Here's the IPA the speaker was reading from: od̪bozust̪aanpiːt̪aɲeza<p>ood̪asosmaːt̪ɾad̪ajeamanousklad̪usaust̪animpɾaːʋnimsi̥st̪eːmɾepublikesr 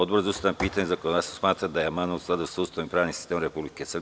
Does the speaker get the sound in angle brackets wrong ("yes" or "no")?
yes